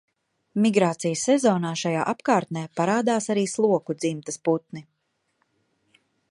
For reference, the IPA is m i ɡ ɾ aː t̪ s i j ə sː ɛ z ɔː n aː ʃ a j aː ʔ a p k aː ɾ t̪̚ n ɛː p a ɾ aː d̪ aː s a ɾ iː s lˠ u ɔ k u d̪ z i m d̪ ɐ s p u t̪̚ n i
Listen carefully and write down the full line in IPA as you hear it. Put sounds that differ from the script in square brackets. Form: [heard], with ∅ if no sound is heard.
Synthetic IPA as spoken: m i ɡ ɾ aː t̪ s i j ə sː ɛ z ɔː n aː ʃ a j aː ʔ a p k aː ɾ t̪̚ n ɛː p a ɾ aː d̪ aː s a ɾ iː s lˠ u ɔ k u d̪ z i m [t̪] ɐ s p u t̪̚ n i